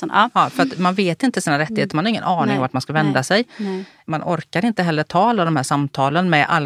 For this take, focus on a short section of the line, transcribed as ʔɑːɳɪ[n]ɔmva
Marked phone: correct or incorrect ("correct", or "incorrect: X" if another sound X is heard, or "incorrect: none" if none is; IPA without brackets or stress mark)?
incorrect: ŋ